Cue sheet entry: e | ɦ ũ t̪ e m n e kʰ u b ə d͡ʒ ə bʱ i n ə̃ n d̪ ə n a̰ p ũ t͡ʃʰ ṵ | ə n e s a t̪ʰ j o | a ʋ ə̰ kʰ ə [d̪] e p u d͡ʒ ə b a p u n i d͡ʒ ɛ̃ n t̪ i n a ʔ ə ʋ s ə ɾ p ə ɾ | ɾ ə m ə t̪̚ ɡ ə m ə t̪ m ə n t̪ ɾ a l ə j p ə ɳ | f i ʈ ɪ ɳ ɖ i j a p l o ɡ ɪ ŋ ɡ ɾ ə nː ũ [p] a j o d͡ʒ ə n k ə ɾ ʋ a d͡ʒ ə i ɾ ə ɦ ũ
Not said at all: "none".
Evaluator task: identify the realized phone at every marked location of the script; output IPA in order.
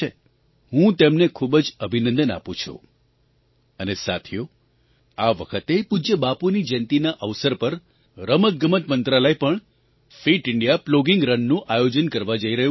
t̪, ʔ

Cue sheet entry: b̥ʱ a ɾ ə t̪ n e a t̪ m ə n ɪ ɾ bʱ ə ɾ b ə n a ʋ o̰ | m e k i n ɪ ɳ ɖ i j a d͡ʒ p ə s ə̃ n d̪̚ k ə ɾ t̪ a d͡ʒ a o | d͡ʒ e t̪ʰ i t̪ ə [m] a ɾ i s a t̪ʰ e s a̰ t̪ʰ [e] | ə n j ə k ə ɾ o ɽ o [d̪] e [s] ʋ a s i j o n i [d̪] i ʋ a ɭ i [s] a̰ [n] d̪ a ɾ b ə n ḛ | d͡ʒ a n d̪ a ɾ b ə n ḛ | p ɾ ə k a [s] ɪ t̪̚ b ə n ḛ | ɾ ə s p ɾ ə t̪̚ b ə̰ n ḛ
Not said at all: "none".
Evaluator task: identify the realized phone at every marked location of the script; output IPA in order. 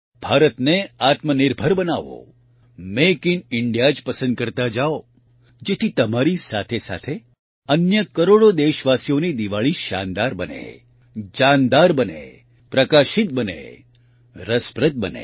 m, e, d̪, ʃ, d̪, ʃ, n, ʃ

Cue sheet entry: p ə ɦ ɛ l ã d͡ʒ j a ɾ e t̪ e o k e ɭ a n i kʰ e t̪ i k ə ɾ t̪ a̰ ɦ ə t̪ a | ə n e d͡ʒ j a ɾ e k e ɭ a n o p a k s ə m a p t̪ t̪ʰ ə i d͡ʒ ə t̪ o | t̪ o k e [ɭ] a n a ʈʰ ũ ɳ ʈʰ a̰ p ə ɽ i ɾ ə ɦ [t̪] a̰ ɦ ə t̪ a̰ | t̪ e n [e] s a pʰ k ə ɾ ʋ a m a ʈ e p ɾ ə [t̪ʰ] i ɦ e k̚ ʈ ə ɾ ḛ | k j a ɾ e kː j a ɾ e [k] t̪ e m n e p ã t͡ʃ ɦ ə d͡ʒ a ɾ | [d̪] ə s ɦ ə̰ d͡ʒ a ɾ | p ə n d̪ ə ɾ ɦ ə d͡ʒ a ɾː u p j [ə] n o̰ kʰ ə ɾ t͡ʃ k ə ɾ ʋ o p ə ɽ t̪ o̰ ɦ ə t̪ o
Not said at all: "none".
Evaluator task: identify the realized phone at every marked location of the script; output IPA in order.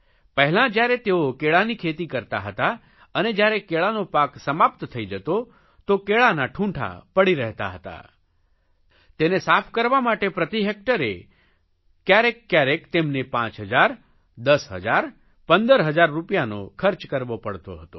ɭ, t̪, e, t̪, k, d̪, a

